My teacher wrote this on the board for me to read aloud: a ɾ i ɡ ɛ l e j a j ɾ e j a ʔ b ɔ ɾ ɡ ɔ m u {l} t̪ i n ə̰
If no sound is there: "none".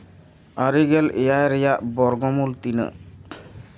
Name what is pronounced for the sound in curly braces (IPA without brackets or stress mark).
l